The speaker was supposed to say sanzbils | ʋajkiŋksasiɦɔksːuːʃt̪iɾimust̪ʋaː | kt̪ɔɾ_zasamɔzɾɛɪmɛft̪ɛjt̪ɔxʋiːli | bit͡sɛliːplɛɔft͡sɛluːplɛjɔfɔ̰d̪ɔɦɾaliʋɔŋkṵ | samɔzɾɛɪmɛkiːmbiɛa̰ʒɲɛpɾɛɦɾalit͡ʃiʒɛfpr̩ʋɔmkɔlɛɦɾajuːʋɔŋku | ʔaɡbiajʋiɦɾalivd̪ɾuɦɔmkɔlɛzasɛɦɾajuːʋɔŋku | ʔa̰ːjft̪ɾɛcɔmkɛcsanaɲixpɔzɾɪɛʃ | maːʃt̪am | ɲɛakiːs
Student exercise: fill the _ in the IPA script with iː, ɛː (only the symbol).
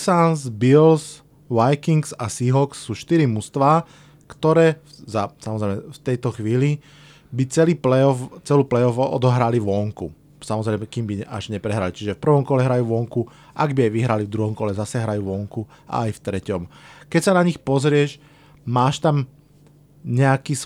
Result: ɛː